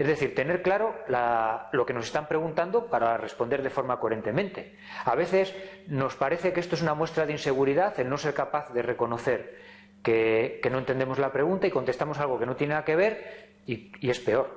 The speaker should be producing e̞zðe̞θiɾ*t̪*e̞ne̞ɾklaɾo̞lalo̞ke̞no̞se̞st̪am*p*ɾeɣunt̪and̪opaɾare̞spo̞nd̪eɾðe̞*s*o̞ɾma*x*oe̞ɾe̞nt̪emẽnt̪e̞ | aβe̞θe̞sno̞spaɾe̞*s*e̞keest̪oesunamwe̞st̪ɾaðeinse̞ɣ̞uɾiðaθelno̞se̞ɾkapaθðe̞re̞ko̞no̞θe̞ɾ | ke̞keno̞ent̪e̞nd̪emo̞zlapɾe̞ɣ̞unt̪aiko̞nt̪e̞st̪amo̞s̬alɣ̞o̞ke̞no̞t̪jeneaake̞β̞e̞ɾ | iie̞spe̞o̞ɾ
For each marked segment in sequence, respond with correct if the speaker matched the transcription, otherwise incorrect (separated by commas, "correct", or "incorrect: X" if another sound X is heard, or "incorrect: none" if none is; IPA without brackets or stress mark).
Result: correct, correct, incorrect: f, incorrect: k, incorrect: θ